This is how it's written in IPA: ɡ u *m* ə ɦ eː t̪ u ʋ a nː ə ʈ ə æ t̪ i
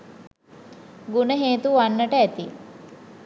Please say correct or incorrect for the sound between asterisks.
incorrect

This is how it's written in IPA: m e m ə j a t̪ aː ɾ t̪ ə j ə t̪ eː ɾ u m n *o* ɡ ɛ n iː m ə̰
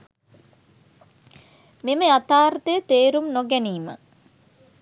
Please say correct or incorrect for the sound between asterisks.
correct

